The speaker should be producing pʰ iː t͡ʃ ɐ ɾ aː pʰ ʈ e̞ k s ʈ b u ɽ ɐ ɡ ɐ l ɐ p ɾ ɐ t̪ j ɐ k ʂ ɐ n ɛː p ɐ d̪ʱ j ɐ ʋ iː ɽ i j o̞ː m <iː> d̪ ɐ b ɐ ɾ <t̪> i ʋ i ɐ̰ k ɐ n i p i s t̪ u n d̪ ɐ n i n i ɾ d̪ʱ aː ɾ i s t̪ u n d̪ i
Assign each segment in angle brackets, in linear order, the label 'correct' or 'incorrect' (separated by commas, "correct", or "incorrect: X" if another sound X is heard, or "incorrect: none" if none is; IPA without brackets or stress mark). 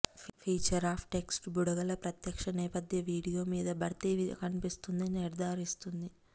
correct, correct